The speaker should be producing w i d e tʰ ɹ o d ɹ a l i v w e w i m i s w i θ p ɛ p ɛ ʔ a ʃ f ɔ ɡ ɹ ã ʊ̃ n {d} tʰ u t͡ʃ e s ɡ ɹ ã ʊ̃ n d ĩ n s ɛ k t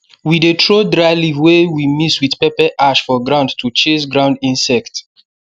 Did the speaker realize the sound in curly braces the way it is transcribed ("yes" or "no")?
yes